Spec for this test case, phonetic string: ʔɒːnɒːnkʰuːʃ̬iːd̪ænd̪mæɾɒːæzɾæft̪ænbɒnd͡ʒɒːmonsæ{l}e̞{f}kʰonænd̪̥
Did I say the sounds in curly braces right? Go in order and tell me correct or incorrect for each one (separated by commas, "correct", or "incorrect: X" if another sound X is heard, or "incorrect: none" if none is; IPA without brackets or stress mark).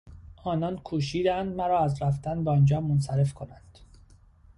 incorrect: ɾ, correct